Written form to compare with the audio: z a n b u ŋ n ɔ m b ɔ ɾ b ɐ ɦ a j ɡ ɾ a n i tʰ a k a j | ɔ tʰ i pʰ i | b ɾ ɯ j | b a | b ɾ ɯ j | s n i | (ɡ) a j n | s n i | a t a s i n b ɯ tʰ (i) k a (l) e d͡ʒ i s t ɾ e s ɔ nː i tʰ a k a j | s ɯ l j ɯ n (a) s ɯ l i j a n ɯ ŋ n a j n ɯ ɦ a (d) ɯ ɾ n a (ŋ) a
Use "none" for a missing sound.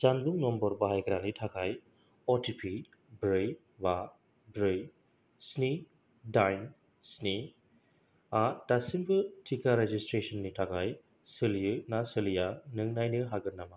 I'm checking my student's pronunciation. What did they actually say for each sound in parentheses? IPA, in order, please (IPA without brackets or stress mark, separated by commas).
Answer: d, i, ɾ, a, ɡ, m